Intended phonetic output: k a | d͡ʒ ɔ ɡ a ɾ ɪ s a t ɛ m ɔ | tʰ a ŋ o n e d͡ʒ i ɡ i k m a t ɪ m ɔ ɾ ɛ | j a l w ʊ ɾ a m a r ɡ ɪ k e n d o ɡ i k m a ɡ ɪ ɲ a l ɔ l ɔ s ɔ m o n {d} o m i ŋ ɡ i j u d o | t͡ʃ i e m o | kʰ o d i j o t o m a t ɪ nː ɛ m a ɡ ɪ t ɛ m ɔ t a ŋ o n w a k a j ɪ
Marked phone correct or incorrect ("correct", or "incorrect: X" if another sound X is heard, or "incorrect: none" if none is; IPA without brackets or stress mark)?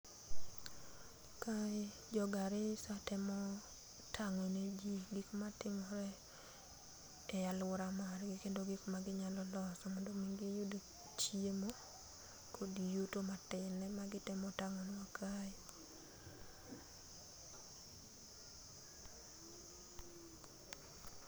correct